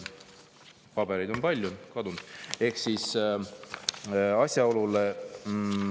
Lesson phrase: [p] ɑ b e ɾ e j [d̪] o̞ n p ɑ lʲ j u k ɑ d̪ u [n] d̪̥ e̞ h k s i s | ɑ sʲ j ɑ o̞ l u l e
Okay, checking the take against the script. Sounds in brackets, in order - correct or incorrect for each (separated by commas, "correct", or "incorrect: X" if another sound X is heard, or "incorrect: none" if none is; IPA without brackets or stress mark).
correct, correct, correct